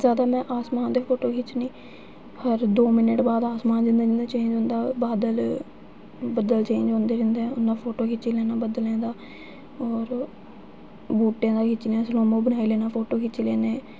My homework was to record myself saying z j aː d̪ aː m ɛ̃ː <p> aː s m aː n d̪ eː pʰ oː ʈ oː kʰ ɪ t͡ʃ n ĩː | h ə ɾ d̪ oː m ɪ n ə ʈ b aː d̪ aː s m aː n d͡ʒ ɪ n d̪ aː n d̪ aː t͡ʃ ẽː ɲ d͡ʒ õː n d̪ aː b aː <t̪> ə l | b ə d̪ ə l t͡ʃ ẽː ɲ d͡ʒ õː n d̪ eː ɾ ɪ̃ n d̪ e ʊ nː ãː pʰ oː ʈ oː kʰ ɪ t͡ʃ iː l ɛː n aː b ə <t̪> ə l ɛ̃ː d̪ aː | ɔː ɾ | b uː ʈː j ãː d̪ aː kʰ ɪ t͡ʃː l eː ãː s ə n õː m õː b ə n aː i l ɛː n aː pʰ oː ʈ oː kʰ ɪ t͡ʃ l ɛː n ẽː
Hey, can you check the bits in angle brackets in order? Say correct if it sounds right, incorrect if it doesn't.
incorrect, incorrect, incorrect

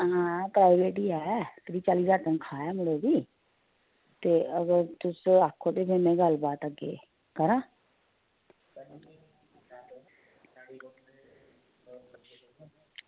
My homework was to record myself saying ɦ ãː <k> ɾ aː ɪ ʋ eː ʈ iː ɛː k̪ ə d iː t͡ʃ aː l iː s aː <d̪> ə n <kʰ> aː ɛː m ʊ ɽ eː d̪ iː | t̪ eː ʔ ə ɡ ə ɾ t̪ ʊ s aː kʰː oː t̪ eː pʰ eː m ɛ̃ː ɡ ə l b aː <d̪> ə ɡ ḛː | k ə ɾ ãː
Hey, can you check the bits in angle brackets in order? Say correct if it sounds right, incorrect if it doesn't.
incorrect, incorrect, correct, incorrect

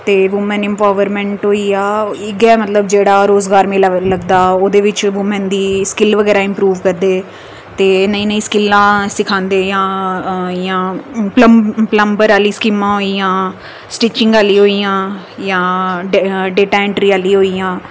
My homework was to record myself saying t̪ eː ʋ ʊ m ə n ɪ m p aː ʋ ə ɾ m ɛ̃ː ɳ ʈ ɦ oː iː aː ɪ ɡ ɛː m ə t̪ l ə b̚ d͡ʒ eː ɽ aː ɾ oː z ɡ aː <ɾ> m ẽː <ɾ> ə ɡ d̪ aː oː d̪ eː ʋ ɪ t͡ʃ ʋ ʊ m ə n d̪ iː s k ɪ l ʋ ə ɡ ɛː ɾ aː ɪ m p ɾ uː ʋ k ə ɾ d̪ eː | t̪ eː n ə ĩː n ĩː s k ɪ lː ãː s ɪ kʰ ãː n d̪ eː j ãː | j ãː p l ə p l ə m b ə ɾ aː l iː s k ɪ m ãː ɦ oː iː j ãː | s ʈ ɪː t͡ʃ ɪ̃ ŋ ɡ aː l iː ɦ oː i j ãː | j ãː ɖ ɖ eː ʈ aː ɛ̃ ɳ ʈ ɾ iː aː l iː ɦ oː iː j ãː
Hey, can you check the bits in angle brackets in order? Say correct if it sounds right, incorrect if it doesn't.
correct, incorrect

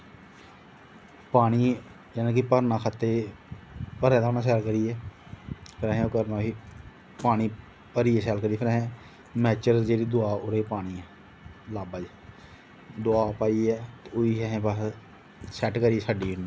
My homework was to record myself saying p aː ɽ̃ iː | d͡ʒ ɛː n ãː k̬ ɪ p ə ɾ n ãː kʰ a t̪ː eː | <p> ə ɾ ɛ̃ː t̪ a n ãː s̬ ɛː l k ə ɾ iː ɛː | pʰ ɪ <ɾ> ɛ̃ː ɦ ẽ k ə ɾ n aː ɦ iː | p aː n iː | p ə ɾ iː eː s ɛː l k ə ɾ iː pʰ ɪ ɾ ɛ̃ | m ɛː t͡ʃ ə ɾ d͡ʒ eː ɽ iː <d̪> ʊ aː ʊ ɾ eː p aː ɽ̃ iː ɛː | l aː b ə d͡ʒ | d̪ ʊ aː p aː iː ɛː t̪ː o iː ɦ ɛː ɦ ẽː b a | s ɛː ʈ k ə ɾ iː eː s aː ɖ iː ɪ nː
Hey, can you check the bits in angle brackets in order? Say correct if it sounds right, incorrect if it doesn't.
correct, correct, correct

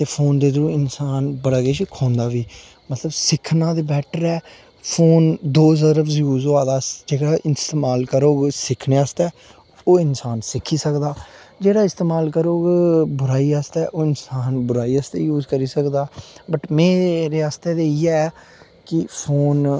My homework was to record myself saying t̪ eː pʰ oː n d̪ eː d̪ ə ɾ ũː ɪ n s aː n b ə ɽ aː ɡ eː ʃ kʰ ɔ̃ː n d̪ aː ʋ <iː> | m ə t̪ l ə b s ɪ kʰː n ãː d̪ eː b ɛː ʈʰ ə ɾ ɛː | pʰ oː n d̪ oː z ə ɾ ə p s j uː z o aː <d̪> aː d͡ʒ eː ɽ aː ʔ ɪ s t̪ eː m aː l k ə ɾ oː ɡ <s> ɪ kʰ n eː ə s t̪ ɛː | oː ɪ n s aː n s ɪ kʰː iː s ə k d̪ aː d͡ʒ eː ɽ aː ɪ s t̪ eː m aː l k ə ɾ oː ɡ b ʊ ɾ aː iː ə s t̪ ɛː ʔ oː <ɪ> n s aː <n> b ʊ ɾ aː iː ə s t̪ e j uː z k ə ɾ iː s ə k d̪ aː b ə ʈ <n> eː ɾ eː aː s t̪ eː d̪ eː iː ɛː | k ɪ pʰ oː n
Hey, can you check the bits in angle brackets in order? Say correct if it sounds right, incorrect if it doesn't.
correct, correct, correct, correct, correct, incorrect

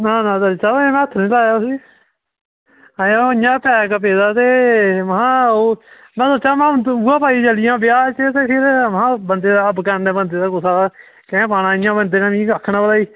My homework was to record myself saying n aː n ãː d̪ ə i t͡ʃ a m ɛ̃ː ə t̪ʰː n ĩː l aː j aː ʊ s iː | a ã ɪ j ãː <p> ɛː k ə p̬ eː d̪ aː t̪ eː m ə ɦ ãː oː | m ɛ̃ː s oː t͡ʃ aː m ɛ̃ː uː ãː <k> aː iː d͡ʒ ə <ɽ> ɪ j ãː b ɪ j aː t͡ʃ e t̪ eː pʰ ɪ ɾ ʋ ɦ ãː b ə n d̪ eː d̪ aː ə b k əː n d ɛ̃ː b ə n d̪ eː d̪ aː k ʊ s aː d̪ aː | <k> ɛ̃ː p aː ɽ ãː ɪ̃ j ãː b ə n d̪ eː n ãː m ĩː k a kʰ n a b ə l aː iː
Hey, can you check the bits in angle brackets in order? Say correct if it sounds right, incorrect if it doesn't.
correct, incorrect, incorrect, correct

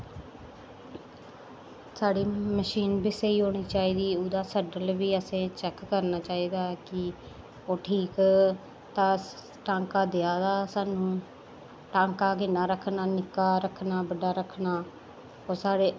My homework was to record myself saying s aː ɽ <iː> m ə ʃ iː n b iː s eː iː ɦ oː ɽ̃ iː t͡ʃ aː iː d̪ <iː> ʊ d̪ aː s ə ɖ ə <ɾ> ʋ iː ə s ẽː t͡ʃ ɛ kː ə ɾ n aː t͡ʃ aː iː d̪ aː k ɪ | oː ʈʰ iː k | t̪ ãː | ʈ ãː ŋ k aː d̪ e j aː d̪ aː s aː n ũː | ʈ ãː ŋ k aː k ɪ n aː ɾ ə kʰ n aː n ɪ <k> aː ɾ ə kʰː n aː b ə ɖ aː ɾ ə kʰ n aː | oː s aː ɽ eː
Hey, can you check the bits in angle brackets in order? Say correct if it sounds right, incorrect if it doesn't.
correct, correct, incorrect, correct

